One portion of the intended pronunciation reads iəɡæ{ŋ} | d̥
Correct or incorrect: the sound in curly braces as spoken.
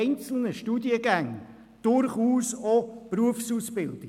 correct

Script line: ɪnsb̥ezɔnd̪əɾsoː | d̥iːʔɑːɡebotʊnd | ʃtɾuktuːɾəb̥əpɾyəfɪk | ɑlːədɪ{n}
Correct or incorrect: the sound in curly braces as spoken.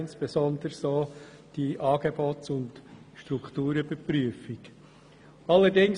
incorrect: ŋ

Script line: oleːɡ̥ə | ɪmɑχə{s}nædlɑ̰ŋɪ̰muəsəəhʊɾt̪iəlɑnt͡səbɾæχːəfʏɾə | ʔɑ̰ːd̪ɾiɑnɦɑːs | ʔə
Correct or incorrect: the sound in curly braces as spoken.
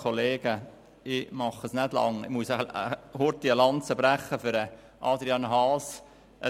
correct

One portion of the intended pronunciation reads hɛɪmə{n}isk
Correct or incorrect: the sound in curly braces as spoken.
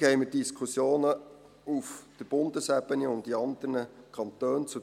incorrect: d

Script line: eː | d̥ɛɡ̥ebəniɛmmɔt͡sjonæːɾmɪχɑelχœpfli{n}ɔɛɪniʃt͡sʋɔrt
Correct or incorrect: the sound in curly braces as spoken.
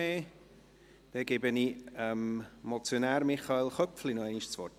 correct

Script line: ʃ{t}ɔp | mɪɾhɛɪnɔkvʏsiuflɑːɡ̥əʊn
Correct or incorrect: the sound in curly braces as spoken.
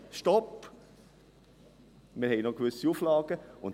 correct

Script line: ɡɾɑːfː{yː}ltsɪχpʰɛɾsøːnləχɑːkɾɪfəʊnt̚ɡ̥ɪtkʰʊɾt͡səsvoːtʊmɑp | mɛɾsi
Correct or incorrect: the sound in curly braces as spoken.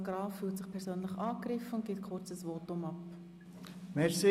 correct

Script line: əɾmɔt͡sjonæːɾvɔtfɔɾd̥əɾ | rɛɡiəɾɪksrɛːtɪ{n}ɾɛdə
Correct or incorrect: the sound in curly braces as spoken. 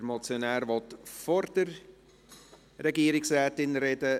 correct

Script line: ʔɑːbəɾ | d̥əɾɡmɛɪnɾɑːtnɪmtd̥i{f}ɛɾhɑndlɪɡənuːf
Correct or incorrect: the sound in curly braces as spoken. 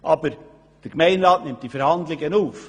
correct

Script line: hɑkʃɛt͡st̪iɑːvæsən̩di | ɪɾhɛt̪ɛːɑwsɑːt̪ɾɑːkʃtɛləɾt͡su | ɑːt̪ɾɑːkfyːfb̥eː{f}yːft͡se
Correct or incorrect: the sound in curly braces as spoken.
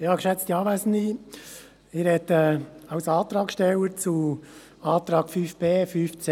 correct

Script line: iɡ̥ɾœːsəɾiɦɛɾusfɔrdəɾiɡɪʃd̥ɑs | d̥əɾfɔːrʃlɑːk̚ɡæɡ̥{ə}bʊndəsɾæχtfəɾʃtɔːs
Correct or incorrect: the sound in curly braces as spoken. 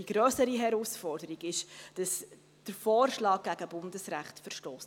correct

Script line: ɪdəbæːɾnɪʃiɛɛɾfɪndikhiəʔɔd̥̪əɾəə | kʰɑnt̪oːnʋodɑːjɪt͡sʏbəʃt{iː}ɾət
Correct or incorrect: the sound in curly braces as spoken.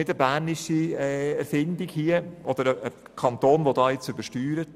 incorrect: yː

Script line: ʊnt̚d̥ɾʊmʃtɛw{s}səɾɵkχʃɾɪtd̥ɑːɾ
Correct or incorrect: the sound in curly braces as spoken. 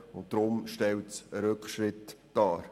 incorrect: t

